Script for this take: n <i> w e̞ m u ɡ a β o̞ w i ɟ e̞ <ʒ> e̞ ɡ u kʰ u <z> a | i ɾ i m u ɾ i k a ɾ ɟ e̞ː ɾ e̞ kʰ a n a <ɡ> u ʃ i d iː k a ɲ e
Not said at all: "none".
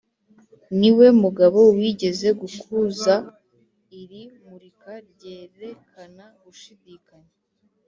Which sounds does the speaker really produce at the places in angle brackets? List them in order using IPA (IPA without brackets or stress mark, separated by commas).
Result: i, z, z, ɡ